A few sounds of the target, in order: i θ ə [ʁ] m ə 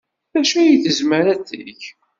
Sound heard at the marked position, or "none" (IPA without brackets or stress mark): z